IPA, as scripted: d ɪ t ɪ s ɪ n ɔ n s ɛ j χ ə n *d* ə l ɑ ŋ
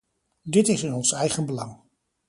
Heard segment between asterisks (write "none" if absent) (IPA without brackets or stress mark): b